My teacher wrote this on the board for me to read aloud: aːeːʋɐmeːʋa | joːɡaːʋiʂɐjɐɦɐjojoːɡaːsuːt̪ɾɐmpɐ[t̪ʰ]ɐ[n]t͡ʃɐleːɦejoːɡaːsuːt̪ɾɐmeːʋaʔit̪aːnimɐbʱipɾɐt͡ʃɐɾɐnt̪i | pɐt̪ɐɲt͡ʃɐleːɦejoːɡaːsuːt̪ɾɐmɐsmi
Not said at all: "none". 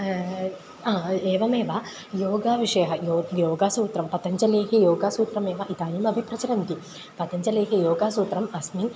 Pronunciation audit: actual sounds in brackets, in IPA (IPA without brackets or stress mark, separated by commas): t̪, ɲ